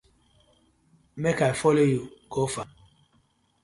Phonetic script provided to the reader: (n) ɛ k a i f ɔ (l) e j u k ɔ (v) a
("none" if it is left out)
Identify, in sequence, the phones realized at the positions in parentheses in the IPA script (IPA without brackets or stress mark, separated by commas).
m, l, f